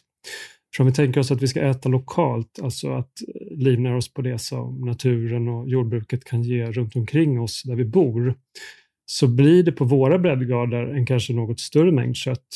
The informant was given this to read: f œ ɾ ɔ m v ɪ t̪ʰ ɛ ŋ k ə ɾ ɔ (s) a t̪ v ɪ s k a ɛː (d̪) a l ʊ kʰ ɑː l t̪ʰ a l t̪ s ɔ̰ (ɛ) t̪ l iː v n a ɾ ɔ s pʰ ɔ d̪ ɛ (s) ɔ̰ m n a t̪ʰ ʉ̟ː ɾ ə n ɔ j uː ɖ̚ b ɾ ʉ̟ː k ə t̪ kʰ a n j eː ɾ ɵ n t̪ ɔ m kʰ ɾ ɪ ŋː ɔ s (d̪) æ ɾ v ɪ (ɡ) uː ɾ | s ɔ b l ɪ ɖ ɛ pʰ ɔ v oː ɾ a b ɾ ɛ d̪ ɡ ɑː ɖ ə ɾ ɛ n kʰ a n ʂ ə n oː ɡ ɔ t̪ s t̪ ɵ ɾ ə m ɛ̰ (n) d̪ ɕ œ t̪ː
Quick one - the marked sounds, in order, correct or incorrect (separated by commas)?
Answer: correct, incorrect, incorrect, correct, correct, incorrect, incorrect